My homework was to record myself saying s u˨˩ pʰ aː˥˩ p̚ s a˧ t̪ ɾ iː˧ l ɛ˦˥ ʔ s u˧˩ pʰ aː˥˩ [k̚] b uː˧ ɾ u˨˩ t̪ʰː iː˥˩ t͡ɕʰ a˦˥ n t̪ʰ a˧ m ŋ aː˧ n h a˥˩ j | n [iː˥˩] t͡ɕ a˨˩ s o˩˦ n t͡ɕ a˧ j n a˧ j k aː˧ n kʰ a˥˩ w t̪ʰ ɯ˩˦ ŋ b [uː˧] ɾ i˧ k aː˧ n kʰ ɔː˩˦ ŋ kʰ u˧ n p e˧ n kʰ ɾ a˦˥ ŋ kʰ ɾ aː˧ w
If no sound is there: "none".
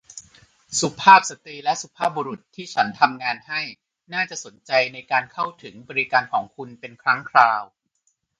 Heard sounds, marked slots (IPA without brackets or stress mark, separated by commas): p̚, aː˥˩, ɔː˧